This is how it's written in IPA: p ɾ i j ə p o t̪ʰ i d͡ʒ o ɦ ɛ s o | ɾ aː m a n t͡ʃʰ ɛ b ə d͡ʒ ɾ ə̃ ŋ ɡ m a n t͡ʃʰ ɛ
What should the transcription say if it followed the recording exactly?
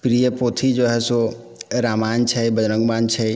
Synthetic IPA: p ɾ i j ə p o t̪ʰ i d͡ʒ o ɦ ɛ s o | ɾ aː m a n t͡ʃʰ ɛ b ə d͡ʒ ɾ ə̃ ŋ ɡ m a n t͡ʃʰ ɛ